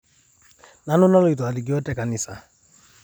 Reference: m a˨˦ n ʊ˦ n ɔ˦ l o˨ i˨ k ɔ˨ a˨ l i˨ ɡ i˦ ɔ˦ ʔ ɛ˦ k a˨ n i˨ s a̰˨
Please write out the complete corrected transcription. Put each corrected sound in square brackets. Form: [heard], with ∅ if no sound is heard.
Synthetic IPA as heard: [n] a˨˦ n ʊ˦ n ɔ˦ l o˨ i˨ [t] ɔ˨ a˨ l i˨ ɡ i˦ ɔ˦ [t] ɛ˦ k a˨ n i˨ s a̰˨